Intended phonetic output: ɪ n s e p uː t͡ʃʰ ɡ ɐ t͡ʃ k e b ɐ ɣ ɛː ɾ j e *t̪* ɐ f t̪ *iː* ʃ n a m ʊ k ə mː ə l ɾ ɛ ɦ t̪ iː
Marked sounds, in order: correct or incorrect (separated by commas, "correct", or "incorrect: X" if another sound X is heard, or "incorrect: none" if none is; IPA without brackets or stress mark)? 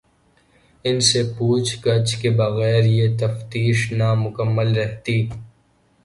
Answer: correct, correct